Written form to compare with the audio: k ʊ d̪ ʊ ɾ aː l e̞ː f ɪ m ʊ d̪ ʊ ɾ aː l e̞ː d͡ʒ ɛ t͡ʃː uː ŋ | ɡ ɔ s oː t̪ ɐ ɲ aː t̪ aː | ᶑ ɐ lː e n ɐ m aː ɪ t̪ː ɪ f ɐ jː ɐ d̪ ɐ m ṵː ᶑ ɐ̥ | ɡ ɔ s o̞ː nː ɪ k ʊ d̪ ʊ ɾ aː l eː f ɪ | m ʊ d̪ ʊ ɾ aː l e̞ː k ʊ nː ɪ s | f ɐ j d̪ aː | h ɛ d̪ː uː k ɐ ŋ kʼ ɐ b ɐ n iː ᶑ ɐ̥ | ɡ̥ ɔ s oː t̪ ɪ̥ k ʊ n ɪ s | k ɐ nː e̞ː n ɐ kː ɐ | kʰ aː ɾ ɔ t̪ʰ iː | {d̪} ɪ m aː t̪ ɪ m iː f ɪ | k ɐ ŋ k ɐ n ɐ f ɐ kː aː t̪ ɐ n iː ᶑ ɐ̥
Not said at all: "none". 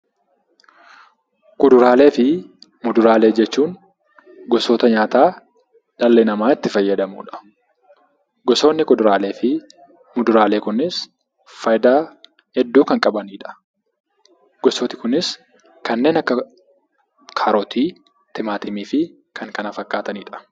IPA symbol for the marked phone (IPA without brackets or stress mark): t̪